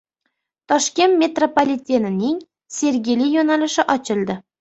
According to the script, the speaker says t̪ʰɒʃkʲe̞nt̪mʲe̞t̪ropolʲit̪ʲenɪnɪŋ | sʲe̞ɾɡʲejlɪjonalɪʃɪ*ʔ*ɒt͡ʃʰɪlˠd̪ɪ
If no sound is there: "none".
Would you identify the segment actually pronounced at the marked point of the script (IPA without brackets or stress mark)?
ʔ